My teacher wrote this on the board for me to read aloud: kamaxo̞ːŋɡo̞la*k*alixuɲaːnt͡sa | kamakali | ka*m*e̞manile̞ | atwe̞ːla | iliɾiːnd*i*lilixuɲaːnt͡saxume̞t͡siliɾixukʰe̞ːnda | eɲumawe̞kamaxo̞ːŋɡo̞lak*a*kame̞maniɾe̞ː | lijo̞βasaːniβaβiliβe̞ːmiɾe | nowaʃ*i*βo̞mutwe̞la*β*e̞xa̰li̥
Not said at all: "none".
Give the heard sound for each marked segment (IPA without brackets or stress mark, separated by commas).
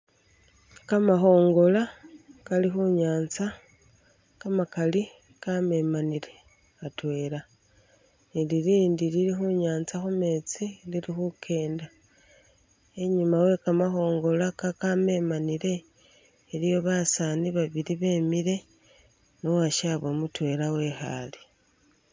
k, m, i, a, a, w